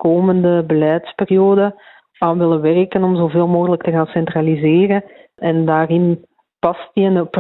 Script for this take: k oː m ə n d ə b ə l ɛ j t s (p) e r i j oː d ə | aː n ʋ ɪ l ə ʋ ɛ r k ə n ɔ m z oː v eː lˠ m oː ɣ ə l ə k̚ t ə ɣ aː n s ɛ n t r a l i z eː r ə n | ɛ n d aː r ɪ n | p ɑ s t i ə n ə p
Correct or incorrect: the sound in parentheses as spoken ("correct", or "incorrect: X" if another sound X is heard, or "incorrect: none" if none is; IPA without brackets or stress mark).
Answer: correct